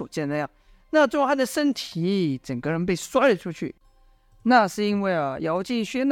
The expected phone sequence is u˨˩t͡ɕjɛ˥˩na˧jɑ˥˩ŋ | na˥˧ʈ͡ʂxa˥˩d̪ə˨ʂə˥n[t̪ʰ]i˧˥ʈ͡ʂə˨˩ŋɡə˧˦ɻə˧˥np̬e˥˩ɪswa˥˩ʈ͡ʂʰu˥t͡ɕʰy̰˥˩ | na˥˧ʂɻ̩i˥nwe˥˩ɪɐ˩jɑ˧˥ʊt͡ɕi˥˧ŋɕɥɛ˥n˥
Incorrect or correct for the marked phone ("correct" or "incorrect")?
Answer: correct